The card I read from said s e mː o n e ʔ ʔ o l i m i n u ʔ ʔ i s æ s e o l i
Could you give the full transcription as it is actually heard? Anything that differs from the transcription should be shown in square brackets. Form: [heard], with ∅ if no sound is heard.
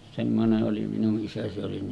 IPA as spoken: s e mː o n e ʔ ʔ o l i m i n u ʔ ʔ i s æ s e o l i